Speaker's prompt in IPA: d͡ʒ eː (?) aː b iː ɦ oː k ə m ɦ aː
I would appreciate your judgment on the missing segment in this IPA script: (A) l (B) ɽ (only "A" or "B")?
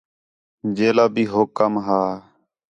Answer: A